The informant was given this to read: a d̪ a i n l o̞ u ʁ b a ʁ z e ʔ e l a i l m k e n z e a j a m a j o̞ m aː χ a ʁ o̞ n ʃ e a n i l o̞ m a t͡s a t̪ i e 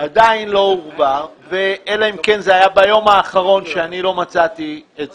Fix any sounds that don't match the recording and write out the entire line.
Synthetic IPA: a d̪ a i n l o̞ u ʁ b a ʁ v e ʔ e l a i m k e n z e a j a b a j o̞ m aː χ a ʁ o̞ n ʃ e a n i l o̞ m a t͡s a t̪ i e